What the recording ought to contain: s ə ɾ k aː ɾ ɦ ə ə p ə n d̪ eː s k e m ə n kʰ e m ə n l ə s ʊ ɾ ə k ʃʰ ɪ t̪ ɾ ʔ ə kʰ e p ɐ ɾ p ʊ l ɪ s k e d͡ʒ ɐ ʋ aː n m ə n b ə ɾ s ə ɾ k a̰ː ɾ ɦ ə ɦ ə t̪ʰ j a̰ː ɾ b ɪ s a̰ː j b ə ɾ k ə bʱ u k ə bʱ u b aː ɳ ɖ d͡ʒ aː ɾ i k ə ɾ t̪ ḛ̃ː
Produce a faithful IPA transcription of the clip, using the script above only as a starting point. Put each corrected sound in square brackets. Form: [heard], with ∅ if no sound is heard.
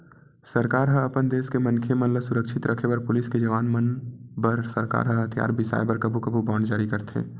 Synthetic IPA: s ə ɾ k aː ɾ ɦ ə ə p ə n d̪ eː s k e m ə n kʰ e m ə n l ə s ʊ ɾ ə k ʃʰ ɪ t̪ ɾ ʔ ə kʰ e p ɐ ɾ p ʊ l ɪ s k e d͡ʒ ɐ ʋ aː n m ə n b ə ɾ s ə ɾ k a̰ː ɾ ɦ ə ɦ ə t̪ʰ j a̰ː ɾ b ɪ s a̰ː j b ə ɾ k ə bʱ u k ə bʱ u b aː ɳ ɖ d͡ʒ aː ɾ i k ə ɾ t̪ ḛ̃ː